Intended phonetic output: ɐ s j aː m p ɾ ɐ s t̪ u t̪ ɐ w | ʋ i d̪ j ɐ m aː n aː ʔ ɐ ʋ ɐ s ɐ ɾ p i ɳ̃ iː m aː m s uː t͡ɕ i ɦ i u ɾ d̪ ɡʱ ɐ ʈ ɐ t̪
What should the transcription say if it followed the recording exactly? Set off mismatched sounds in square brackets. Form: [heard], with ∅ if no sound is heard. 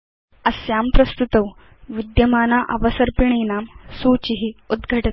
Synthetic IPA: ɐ s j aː m p ɾ ɐ s t̪ u t̪ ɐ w | ʋ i d̪ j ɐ m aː n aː ʔ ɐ ʋ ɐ s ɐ ɾ p i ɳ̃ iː [n] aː m s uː t͡ɕ i ɦ i u [∅] d̪ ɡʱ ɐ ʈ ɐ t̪